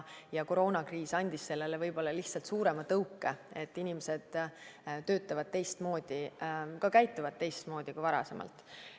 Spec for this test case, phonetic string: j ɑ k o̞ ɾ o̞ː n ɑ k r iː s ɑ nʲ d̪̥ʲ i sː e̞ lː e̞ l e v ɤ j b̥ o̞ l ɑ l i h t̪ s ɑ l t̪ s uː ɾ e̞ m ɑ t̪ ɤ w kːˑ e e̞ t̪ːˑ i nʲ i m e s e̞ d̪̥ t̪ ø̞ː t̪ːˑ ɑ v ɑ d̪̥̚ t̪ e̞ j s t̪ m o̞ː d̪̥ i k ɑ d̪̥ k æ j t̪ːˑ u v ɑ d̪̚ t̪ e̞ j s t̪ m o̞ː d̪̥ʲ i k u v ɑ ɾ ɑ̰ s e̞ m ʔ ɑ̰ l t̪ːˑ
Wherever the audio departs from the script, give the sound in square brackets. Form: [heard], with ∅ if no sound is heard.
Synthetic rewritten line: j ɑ k o̞ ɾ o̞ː n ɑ k r iː s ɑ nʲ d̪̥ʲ i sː e̞ lː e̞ l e v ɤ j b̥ o̞ [lː] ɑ l i h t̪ s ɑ l t̪ s uː ɾ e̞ m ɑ t̪ ɤ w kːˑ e e̞ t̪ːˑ i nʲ i m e s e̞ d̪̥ t̪ ø̞ː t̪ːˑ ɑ v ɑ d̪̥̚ t̪ e̞ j s t̪ m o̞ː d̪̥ i k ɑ [∅] k æ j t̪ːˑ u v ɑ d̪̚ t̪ e̞ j s t̪ m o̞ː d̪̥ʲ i k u v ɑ ɾ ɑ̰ s e̞ m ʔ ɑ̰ l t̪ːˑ